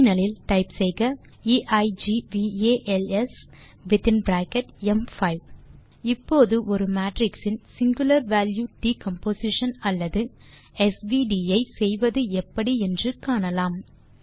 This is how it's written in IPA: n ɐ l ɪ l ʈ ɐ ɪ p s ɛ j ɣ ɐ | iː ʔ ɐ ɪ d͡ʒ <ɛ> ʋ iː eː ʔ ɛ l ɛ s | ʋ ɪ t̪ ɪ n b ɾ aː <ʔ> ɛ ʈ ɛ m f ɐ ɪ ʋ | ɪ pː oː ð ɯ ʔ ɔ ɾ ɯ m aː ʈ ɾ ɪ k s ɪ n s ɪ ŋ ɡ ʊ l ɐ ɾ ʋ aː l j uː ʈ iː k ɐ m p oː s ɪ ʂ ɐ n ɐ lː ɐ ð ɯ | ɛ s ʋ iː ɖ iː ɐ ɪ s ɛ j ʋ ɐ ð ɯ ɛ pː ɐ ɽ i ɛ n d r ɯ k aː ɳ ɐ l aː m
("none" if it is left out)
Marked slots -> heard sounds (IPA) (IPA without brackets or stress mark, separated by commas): i, k